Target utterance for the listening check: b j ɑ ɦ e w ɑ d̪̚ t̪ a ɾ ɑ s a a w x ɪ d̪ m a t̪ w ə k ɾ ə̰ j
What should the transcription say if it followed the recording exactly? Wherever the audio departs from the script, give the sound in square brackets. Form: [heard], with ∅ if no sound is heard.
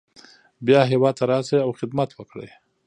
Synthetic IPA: b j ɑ ɦ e w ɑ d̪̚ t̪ a ɾ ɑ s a a w x ɪ d̪ m a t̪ w ə k [ɽ] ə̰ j